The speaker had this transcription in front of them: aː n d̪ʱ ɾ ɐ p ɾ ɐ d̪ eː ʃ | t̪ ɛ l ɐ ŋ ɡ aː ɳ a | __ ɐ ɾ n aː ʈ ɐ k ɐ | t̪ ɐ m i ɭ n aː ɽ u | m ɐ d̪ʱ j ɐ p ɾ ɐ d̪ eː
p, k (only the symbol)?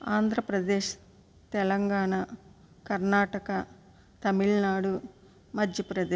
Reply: k